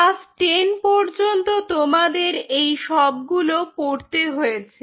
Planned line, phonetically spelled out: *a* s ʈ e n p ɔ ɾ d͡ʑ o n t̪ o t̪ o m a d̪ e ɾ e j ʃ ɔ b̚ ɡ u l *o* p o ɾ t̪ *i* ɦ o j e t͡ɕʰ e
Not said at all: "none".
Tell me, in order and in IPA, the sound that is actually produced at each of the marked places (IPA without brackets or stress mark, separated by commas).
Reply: a, o, e